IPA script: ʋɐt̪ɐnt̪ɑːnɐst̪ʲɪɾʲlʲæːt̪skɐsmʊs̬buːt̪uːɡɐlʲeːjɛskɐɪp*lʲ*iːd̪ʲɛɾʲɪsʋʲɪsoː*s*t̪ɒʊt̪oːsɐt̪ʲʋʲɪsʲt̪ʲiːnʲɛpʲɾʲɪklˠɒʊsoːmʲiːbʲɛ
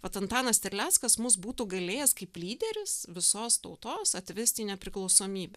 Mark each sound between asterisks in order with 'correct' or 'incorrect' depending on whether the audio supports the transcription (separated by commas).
correct, correct